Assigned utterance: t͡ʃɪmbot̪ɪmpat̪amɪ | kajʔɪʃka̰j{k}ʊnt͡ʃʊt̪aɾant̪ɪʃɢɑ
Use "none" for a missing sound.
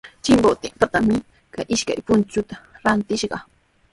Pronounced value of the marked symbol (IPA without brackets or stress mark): p